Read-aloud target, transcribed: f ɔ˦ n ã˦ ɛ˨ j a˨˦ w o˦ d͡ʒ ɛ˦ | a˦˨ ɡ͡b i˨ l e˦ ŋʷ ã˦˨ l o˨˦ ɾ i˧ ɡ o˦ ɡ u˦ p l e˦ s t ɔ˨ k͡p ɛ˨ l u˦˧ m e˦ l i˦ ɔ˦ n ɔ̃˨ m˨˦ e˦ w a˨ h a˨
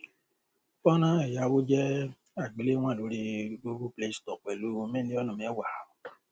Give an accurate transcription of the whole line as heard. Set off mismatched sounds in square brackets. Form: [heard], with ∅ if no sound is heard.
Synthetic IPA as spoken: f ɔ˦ n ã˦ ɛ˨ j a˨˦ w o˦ d͡ʒ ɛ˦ | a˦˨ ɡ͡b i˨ l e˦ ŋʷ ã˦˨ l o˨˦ ɾ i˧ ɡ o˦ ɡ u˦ p l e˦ s t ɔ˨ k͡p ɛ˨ l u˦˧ m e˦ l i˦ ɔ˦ n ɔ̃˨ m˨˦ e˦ w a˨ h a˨